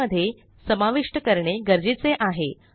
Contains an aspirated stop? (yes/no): no